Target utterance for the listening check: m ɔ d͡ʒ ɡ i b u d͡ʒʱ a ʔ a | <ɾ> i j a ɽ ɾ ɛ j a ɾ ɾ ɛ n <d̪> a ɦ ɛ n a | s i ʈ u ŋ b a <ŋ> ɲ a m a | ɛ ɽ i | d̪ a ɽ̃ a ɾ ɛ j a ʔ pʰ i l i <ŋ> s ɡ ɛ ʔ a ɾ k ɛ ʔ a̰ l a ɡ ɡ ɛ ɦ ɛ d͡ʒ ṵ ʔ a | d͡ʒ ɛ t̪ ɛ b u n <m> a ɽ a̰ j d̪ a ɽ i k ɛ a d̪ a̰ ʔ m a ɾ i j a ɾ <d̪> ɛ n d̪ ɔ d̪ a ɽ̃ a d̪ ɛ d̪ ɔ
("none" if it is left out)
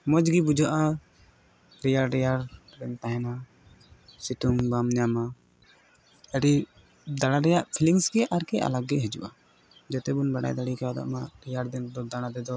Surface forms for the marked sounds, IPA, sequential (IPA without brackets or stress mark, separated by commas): ɾ, t̪, m, ŋ, b, d̪